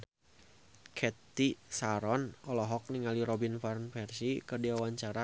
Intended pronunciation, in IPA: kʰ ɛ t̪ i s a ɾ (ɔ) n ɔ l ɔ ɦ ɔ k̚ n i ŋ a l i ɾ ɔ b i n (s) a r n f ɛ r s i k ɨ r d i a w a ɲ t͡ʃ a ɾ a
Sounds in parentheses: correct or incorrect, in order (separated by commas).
correct, incorrect